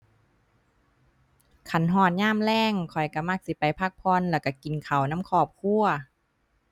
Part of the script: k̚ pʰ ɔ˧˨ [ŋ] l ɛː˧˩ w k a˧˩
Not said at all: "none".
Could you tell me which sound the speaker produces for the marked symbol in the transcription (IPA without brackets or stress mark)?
n